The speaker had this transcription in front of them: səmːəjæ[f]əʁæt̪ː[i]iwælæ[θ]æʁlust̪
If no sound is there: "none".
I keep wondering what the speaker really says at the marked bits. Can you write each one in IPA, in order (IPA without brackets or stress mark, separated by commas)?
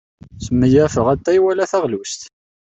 f, æ, θ